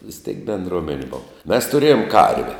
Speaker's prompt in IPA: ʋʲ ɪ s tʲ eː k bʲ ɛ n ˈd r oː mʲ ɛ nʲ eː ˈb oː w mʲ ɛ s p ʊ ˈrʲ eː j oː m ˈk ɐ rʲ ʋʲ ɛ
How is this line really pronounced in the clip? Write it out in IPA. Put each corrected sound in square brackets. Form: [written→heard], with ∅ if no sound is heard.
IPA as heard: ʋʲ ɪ s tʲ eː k bʲ ɛ n ˈd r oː mʲ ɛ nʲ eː ˈb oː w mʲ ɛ s [p→t] ʊ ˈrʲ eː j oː m ˈk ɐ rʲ ʋʲ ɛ